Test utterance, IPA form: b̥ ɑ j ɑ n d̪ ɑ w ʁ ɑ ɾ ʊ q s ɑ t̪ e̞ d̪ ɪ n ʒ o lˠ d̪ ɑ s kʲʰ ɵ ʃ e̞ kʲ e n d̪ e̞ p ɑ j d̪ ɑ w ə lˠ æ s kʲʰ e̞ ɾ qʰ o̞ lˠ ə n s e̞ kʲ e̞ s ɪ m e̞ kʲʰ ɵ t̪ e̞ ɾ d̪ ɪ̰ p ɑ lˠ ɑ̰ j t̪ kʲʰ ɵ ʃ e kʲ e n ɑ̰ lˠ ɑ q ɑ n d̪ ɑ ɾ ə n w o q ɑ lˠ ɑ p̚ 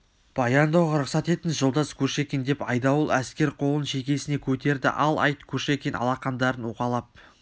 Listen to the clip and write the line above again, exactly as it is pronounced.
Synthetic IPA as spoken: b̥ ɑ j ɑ n d̪ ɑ w ʁ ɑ ɾ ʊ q s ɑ t̪ e̞ t̪ ɪ n ʒ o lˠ d̪ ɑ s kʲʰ ɵ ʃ e̞ kʲ e n d̪ e̞ p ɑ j d̪ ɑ w ə lˠ æ s kʲ e̞ ɾ qʰ o̞ lˠ ə n ʃ e̞ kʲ e̞ s ɪ n e̞ kʲʰ ɵ t̪ e̞ ɾ d̪ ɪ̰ ʔ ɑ lˠ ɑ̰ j t̪ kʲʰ ɵ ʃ e kʲ e n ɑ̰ lˠ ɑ q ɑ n d̪ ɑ ɾ ə n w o q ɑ lˠ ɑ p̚